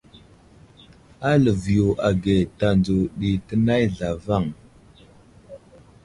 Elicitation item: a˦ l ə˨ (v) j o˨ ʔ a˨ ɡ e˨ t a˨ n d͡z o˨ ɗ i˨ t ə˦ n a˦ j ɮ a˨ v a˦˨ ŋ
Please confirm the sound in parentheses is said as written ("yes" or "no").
yes